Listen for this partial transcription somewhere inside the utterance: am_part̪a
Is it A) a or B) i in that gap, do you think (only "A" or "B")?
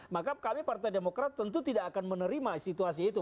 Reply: B